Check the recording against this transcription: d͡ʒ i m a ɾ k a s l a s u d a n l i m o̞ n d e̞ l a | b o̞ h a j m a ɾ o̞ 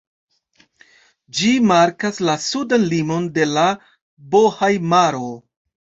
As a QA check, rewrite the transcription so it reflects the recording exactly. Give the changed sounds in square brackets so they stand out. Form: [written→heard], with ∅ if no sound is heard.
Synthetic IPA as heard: d͡ʒ i m a ɾ k a s l a s u d a n l i m o̞ n d e̞ l a | b o̞ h a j m a ɾ o̞